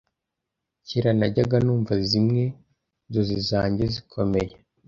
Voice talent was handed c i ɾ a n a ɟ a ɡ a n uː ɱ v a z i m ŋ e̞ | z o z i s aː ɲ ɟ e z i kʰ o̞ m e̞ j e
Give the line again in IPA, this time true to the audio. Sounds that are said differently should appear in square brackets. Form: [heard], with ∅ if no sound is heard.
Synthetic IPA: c i ɾ a n a ɟ a ɡ a n uː ɱ v a z i m ŋ e̞ | z o z i [z] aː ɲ ɟ e z i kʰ o̞ m e̞ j e